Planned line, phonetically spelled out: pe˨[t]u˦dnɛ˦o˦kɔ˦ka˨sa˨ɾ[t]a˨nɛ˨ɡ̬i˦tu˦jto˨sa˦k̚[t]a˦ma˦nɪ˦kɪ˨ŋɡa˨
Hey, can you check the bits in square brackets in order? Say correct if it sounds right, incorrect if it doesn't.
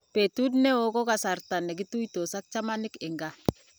correct, correct, incorrect

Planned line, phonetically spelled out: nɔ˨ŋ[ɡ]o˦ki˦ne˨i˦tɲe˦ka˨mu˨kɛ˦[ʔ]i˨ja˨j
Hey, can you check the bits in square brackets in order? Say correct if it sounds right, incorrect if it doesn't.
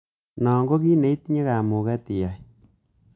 correct, incorrect

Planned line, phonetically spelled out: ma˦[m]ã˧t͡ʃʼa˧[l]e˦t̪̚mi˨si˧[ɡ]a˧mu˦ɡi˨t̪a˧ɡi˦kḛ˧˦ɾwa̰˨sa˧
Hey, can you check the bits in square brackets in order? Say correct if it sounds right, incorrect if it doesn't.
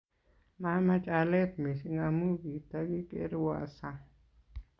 correct, correct, incorrect

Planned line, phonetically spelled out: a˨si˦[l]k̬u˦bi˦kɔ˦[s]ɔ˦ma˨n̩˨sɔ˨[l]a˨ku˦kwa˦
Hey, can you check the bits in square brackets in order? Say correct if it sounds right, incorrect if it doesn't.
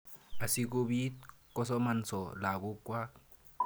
incorrect, correct, correct

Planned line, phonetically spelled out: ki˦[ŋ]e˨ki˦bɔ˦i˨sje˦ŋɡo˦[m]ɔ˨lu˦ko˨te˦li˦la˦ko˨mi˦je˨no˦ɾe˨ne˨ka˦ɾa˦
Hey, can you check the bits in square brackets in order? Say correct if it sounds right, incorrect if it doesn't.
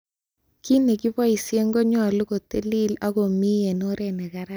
incorrect, incorrect

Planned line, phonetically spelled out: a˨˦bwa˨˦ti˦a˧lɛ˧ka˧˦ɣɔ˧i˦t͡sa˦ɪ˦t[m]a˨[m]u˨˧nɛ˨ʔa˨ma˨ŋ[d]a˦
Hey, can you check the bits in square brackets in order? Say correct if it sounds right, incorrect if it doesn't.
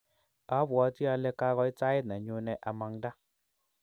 incorrect, incorrect, correct

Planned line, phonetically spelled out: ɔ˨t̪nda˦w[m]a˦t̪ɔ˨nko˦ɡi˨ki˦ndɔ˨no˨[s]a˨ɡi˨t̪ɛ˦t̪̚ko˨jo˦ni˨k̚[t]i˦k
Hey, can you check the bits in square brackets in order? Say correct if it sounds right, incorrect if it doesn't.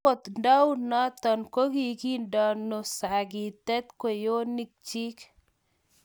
incorrect, correct, incorrect

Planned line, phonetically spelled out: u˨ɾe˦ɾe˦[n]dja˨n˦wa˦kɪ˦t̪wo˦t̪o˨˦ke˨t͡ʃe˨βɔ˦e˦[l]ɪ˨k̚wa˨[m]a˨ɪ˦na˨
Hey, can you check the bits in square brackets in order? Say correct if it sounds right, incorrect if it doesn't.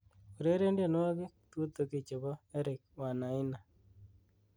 correct, incorrect, incorrect

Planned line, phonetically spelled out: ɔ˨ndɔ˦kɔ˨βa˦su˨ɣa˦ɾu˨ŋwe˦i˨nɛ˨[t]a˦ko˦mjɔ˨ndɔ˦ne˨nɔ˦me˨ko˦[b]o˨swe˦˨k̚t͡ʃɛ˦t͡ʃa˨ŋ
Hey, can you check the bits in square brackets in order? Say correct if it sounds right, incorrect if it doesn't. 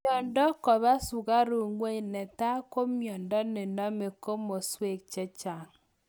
correct, incorrect

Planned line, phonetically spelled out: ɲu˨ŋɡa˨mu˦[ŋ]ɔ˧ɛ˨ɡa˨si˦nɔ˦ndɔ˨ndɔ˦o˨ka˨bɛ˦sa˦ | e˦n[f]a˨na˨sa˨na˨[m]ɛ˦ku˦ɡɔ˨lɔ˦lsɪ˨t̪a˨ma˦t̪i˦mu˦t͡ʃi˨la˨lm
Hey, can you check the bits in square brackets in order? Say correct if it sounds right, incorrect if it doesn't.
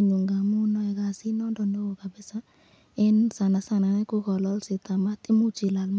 incorrect, incorrect, incorrect

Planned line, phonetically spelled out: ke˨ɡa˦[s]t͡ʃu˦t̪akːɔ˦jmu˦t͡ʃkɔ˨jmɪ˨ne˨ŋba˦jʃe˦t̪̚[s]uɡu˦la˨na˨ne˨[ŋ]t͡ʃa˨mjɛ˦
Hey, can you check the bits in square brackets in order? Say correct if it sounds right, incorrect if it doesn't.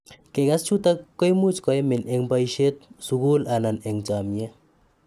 correct, correct, correct

